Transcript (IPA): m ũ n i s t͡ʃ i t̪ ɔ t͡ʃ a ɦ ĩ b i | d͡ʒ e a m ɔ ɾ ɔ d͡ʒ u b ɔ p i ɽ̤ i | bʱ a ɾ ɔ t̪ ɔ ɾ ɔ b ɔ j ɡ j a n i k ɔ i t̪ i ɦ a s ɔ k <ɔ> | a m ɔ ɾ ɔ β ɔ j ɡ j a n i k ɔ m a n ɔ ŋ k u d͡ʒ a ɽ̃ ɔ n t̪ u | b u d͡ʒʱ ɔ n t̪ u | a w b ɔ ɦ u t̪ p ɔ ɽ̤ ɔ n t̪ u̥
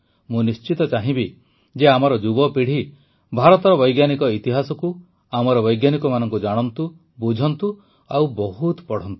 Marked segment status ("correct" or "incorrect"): incorrect